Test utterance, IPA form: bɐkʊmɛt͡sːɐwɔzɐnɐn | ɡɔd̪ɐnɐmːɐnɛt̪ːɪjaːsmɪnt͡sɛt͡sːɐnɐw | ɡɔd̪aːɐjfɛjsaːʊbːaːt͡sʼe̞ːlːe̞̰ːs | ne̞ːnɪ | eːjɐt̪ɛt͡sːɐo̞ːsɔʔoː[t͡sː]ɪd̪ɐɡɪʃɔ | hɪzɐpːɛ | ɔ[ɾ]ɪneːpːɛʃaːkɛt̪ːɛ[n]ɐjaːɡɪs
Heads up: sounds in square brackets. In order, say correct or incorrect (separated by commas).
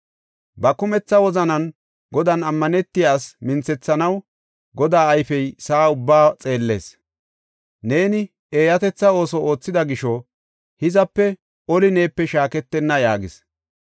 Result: correct, incorrect, incorrect